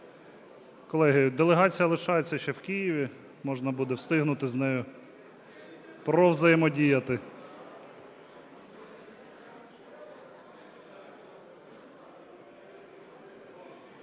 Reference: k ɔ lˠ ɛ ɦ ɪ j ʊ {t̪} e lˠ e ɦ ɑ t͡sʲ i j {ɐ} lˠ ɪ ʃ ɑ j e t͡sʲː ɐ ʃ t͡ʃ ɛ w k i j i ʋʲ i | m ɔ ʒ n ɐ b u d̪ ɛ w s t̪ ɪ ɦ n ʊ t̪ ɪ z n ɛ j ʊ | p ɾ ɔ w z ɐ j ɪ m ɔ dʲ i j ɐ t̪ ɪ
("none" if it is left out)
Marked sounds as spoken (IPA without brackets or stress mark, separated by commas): d̪, ɐ